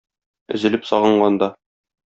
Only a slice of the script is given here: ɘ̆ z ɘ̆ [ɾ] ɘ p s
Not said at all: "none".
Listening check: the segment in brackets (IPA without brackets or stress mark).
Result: l